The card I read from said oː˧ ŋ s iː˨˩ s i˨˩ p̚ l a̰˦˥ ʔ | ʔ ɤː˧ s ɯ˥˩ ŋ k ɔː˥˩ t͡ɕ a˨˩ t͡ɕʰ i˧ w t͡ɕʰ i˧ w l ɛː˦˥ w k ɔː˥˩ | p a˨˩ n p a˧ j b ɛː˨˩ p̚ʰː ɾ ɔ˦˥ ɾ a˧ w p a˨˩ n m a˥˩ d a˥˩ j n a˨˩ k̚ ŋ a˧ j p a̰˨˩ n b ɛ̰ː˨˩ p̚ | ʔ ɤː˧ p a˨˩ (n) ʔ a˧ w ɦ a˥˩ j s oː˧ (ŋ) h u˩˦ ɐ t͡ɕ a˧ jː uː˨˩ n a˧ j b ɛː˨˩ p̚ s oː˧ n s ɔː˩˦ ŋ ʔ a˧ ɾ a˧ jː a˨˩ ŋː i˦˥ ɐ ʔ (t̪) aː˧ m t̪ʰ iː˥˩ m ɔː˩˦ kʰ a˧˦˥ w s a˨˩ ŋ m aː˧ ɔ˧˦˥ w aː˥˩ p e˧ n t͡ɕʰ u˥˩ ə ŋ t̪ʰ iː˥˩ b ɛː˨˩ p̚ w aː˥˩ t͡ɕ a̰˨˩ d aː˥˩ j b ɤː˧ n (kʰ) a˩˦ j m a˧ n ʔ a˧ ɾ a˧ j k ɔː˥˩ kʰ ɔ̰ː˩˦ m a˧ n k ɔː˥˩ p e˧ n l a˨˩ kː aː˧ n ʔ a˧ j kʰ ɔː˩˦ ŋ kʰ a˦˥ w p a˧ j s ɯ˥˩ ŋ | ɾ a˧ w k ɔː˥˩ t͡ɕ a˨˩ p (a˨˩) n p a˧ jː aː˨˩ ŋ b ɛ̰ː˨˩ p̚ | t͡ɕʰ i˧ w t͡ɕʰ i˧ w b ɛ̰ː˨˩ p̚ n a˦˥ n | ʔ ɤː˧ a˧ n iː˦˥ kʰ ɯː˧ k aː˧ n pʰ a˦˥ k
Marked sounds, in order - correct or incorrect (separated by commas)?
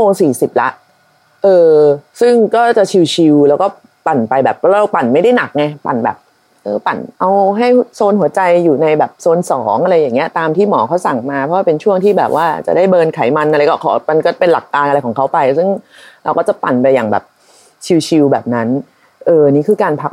correct, incorrect, correct, correct, correct